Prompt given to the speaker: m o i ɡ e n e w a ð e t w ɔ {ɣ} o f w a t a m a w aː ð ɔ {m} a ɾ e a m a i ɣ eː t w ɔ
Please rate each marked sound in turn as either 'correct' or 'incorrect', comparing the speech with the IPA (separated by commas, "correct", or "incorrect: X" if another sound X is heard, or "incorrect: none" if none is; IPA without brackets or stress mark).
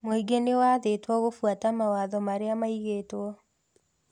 correct, correct